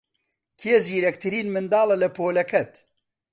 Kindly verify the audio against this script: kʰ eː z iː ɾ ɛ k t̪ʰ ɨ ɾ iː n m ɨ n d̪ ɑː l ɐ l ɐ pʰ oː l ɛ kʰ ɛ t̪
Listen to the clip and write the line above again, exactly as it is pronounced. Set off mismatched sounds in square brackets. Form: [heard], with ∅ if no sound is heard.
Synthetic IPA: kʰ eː z iː ɾ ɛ k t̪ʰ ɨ ɾ iː n m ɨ n d̪ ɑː l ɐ l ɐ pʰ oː l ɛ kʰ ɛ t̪